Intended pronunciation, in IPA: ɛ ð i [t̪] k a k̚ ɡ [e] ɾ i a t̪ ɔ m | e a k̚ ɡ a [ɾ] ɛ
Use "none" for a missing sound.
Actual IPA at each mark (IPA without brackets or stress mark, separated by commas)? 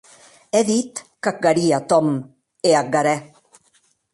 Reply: t̪, a, ɾ